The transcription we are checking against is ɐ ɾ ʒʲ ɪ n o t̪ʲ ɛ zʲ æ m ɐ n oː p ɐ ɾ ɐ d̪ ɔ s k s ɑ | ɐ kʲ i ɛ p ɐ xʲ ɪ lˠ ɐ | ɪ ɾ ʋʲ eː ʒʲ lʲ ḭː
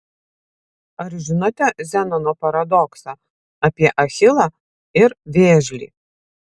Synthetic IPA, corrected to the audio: ɐ ɾ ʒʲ ɪ n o t̪ʲ ɛ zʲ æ n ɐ n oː p ɐ ɾ ɐ d̪ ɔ k s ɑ | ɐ pʲ i ɛ ʔ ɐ xʲ ɪ lˠ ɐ | ɪ ɾ ʋʲ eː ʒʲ lʲ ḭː